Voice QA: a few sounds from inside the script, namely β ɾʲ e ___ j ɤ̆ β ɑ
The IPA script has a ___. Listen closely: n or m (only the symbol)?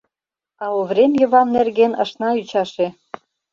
m